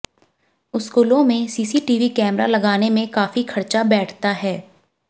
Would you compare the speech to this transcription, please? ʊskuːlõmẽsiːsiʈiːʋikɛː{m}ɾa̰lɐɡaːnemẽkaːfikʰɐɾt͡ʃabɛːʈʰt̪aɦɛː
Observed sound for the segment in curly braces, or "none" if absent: m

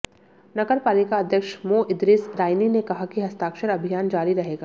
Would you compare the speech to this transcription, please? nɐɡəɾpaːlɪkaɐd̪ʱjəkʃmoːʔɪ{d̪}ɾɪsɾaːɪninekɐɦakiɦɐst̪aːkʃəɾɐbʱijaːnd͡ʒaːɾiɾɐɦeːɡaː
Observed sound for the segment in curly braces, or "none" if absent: d̪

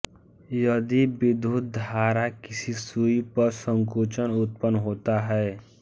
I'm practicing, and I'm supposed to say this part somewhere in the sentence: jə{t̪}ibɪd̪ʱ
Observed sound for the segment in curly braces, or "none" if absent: d̪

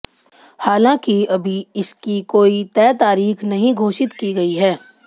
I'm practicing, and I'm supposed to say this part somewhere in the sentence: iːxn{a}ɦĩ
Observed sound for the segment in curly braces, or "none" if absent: ɐ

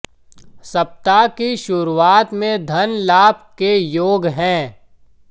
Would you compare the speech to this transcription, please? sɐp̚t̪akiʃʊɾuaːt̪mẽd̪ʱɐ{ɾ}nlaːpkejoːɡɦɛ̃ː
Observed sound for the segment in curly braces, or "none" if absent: none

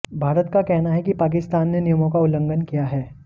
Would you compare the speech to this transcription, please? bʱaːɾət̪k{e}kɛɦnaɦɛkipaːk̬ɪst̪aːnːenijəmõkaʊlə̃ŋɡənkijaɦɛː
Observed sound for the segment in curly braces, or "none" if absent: a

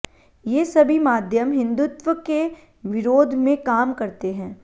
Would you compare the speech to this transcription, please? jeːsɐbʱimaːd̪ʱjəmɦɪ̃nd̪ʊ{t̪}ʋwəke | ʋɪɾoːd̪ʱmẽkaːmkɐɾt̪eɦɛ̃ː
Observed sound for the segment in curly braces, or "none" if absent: t̪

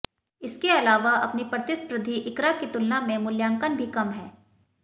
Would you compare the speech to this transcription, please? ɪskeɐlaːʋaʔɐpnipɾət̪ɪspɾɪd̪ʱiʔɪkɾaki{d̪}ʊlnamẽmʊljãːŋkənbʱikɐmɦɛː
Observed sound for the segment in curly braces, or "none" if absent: t̪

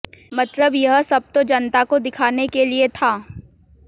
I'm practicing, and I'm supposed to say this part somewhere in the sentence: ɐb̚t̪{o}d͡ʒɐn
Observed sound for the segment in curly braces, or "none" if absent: o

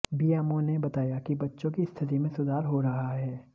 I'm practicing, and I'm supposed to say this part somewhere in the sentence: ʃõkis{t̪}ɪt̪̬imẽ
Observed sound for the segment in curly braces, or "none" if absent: t̪ʰ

